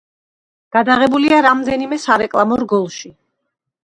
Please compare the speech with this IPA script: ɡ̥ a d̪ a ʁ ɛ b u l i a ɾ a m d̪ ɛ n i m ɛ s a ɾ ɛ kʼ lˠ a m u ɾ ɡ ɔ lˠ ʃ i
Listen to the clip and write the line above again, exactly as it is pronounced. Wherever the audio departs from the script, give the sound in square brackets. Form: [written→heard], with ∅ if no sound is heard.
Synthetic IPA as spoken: ɡ̥ a d̪ a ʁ ɛ b u l i a ɾ a m d̪ ɛ n i m ɛ s a ɾ ɛ kʼ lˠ a m [u→ɔ] ɾ ɡ ɔ lˠ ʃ i

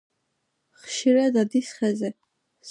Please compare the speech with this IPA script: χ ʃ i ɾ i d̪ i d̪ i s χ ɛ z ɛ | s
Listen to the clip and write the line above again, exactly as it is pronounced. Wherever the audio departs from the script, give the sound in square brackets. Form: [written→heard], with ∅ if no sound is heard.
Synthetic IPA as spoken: χ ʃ i ɾ [i→a] d̪ [i→a] d̪ i s χ ɛ z ɛ | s

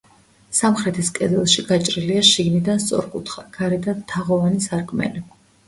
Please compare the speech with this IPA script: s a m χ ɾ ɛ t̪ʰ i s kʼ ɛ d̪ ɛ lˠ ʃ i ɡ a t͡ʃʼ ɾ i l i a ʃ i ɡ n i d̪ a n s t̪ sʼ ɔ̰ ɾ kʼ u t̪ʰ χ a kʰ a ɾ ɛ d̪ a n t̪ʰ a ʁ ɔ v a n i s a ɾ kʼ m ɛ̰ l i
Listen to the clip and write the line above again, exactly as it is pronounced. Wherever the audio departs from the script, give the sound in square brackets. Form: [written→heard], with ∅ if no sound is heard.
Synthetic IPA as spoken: s a m χ ɾ ɛ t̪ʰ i s kʼ ɛ d̪ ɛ lˠ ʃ i ɡ a t͡ʃʼ ɾ i l i a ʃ i ɡ n i d̪ a n s t̪ sʼ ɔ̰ ɾ kʼ u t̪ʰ χ a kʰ a ɾ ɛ d̪ a n t̪ʰ a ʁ ɔ v a n i s a ɾ kʼ m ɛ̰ l i

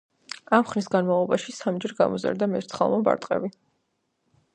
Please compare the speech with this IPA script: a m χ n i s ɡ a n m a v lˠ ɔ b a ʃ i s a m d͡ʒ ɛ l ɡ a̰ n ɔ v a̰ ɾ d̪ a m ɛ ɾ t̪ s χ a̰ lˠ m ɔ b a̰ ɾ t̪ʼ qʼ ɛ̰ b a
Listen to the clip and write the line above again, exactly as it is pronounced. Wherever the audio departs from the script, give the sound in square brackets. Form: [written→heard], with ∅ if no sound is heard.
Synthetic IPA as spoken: a m χ n i s ɡ a n m a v lˠ ɔ b a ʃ i s a m d͡ʒ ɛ [l→ɾ] ɡ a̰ [n→m] ɔ [v→z] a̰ ɾ d̪ a m ɛ ɾ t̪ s χ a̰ lˠ m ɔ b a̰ ɾ t̪ʼ qʼ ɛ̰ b [a→i]

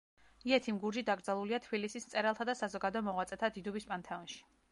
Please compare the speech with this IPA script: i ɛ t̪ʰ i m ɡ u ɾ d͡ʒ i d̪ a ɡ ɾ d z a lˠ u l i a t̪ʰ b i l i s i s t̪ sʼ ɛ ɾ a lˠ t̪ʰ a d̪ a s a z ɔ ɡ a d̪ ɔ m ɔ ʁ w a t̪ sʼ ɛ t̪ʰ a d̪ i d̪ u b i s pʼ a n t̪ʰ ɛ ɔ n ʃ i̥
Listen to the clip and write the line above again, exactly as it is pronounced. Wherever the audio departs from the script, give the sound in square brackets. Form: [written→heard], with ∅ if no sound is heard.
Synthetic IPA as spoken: i ɛ t̪ʰ i m ɡ u ɾ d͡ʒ i d̪ a ɡ ɾ d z a lˠ u l i a t̪ʰ b i l i s i s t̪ sʼ ɛ ɾ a lˠ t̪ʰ a d̪ a s a z ɔ ɡ a d̪ ɔ m ɔ ʁ w a t̪ sʼ ɛ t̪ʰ a d̪ i d̪ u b i s pʼ a n t̪ʰ ɛ ɔ n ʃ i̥

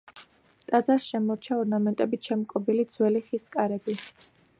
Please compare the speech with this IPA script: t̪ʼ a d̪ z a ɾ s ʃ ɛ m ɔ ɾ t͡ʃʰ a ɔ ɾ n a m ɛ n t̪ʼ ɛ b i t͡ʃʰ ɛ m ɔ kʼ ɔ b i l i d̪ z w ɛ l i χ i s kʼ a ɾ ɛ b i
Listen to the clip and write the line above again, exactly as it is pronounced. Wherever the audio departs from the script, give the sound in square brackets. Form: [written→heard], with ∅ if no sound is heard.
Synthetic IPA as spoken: t̪ʼ a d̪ z a ɾ s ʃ ɛ m ɔ ɾ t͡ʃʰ a ɔ ɾ n a m ɛ n t̪ʼ ɛ b i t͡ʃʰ ɛ m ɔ kʼ ɔ b i l i d̪ z w ɛ l i χ i s kʼ a ɾ ɛ b i

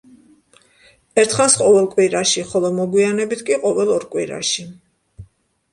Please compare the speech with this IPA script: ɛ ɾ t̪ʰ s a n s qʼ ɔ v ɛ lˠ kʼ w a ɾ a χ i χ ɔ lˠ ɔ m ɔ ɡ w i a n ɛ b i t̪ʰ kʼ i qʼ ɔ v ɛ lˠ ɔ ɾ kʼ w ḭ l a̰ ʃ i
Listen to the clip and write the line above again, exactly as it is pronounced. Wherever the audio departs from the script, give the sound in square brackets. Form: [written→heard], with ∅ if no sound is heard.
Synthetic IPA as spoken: ɛ ɾ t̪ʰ [s→χ] a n s qʼ ɔ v ɛ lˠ kʼ w [a→i] ɾ a [χ→ʃ] i χ ɔ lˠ ɔ m ɔ ɡ w i a n ɛ b i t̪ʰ kʼ i qʼ ɔ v ɛ lˠ ɔ ɾ kʼ w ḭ [l→ɾ] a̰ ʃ i

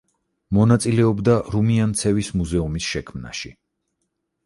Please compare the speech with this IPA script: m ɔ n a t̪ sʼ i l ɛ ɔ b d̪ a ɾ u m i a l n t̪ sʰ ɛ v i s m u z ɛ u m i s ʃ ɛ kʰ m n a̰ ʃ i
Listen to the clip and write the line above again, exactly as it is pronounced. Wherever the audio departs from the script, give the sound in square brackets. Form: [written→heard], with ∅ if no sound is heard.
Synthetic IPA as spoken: m ɔ n a t̪ sʼ i l ɛ ɔ b d̪ a ɾ u m i a [l→∅] n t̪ sʰ ɛ v i s m u z ɛ u m i s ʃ ɛ kʰ m n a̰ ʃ i

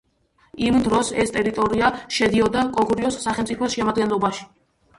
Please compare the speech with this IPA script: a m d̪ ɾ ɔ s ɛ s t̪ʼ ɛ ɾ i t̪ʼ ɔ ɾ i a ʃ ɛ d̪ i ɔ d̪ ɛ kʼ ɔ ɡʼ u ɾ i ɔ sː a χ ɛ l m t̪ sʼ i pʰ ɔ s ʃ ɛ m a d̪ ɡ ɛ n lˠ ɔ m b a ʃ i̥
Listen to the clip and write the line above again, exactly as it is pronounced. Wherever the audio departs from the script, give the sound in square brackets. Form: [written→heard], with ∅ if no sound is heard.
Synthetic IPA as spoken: [a→i] m d̪ ɾ ɔ s ɛ s t̪ʼ ɛ ɾ i t̪ʼ ɔ ɾ i a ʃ ɛ d̪ i ɔ d̪ [ɛ→a] kʼ ɔ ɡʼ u ɾ i ɔ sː a χ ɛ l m t̪ sʼ i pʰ ɔ s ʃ ɛ m a d̪ ɡ ɛ n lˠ ɔ [m→∅] b a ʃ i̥

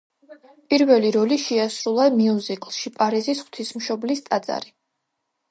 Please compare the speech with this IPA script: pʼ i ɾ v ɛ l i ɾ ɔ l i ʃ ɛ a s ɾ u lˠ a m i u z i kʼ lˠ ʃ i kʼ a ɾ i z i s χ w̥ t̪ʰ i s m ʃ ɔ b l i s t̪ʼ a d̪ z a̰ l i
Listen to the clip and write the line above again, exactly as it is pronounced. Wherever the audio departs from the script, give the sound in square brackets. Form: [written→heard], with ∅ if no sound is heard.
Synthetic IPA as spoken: pʼ i ɾ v ɛ l i ɾ ɔ l i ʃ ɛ a s ɾ u lˠ a m i u z i kʼ lˠ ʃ i [kʼ→pʼ] a ɾ i z i s χ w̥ t̪ʰ i s m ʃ ɔ b l i s t̪ʼ a d̪ z a̰ [l→ɾ] i

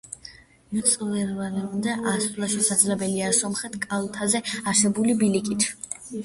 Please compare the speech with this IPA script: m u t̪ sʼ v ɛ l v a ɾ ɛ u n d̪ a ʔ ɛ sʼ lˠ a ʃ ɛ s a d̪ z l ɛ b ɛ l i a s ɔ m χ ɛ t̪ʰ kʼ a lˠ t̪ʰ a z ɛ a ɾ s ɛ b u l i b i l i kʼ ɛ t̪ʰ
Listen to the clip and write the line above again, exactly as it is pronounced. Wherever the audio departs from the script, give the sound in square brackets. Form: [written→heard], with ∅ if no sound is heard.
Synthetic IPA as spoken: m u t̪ sʼ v ɛ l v a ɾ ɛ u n d̪ a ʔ [ɛ→a] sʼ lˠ a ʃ ɛ s a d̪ z l ɛ b ɛ l i a s ɔ m χ ɛ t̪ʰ kʼ a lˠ t̪ʰ a z ɛ a ɾ s ɛ b u l i b i l i kʼ [ɛ→i] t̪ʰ

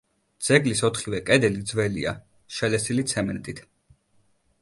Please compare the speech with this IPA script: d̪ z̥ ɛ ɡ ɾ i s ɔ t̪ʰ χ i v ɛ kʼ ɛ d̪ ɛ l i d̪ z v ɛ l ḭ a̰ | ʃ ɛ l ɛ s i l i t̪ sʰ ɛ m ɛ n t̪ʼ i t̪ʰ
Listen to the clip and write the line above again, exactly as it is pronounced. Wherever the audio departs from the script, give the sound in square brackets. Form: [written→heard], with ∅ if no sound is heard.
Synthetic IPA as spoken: d̪ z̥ ɛ ɡ [ɾ→l] i s ɔ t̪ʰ χ i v ɛ kʼ ɛ d̪ ɛ l i d̪ z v ɛ l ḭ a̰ | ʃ ɛ l ɛ s i l i t̪ sʰ ɛ m ɛ n t̪ʼ i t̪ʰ

